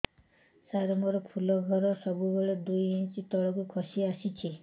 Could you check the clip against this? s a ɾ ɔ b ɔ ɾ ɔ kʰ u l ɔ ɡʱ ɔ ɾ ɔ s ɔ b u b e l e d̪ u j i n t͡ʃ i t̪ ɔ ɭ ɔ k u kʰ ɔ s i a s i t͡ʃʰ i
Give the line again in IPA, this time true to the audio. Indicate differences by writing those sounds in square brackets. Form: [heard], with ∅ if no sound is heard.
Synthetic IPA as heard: s a ɾ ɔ [m] ɔ ɾ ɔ kʰ u l ɔ ɡʱ ɔ ɾ ɔ s ɔ b u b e [ɭ] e d̪ u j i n t͡ʃ i t̪ ɔ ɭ ɔ k u kʰ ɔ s i a s i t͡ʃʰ i